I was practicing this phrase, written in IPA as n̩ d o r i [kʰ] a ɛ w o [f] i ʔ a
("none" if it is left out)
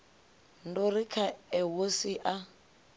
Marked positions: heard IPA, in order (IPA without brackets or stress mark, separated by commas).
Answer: kʰ, s